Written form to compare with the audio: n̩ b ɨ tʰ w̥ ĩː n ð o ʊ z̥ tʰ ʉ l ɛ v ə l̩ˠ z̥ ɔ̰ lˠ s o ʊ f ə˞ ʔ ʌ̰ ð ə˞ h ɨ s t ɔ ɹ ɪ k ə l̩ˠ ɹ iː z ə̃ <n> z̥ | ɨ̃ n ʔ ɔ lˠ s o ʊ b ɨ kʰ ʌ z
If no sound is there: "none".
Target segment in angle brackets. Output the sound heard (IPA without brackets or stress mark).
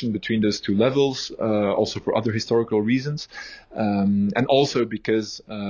n